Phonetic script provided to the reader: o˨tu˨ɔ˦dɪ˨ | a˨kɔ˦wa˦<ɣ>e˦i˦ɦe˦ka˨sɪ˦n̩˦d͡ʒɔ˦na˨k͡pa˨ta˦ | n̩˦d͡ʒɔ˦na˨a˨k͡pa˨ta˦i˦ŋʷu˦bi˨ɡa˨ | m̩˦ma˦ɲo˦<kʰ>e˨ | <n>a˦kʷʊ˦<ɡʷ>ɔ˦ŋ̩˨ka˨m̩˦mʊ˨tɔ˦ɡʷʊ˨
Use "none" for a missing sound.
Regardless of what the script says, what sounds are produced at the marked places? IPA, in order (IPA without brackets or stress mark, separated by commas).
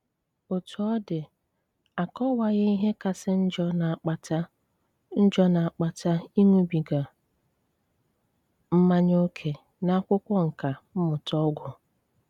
ɣ, kʰ, n, kʷ